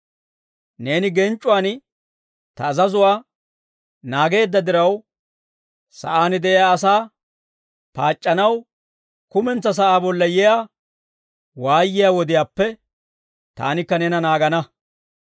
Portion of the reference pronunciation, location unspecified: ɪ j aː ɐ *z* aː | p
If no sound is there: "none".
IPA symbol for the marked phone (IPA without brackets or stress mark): s